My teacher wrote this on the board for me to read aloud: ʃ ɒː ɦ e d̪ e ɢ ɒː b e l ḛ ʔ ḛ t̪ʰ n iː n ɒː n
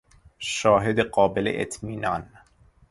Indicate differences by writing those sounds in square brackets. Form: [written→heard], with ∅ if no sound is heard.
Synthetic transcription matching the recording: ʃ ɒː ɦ e d̪ e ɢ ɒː b e l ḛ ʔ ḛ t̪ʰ [n→m] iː n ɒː n